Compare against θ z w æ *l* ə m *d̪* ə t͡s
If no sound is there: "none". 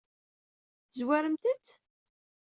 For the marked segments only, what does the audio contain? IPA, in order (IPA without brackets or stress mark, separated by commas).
ɾ, t̪